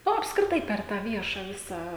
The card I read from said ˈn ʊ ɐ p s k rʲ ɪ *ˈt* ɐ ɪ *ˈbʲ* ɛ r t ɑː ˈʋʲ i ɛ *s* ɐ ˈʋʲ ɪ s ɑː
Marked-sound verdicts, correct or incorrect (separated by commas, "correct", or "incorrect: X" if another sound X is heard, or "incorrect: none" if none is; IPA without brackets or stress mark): correct, incorrect: pʲ, incorrect: ʃ